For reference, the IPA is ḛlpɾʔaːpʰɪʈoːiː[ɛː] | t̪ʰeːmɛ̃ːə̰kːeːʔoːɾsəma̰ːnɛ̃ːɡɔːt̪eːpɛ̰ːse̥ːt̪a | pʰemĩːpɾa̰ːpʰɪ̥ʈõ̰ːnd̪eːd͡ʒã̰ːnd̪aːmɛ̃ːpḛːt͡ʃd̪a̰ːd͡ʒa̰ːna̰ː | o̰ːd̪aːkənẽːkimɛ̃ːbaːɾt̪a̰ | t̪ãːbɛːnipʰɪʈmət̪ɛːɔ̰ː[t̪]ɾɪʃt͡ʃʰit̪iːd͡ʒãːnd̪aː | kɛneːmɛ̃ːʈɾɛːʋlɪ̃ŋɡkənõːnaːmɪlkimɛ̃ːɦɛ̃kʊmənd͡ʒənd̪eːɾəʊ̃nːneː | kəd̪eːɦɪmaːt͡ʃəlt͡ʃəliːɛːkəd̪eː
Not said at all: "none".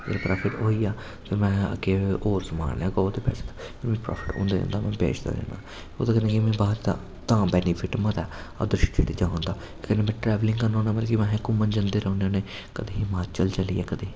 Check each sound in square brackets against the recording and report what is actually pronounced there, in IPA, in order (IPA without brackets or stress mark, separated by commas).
aː, d̪